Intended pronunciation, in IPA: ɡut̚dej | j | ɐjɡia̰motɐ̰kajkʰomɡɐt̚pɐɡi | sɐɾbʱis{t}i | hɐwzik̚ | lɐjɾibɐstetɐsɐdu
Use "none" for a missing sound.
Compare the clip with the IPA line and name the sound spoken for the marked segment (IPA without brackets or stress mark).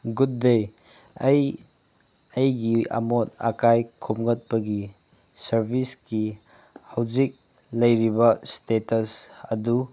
k